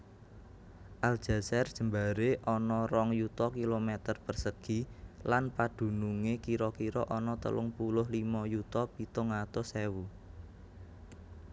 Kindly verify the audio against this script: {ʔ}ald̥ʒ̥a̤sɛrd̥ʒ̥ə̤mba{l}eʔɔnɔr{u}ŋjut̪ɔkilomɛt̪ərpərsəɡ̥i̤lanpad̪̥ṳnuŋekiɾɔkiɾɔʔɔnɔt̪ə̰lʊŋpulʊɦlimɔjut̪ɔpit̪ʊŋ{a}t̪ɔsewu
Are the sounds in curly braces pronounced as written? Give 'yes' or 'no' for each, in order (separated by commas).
yes, no, no, yes